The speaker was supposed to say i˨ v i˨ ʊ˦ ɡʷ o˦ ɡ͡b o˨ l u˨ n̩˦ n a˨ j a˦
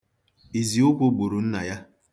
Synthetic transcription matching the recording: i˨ z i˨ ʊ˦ kʷ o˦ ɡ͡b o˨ ɾ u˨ n̩˦ n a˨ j a˦